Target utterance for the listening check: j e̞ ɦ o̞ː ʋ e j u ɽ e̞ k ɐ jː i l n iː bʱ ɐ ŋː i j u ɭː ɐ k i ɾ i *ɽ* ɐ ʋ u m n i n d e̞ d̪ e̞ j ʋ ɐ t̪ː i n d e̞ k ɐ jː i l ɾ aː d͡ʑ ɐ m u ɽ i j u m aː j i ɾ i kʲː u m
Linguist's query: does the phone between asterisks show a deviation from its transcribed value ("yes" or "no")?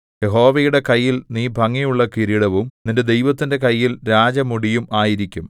no